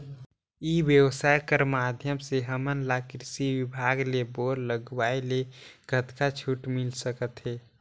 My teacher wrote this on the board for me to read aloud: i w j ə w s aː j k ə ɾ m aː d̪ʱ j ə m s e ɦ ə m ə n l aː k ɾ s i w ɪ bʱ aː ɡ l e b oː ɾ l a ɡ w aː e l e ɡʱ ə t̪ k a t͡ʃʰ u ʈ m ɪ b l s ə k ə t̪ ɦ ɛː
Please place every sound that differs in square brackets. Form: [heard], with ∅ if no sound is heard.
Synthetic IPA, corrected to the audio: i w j ə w s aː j k ə ɾ m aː d̪ʱ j ə m s e ɦ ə m ə n l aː k ɾ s i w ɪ bʱ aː ɡ l e b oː ɾ l [ə] ɡ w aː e l e ɡʱ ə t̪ k a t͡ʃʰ u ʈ m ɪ [∅] l s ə k ə t̪ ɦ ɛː